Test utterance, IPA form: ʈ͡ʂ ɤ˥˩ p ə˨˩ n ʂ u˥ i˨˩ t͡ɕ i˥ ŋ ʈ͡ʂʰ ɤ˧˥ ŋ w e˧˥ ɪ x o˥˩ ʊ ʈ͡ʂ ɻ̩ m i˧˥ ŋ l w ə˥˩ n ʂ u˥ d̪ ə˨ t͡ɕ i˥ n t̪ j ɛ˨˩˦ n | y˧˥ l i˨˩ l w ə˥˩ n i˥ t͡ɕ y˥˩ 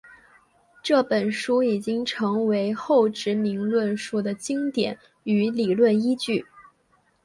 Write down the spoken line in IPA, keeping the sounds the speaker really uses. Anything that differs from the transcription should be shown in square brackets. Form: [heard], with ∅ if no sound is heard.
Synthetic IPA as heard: ʈ͡ʂ ɤ˥˩ p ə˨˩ n ʂ u˥ i˨˩ t͡ɕ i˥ ŋ ʈ͡ʂʰ ɤ˧˥ ŋ w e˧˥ ɪ x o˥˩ ʊ ʈ͡ʂ ɻ̩ m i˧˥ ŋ l w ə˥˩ n ʂ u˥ d̪ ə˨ t͡ɕ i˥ [ŋ] t̪ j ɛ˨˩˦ n | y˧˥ l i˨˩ l w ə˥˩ n i˥ t͡ɕ y˥˩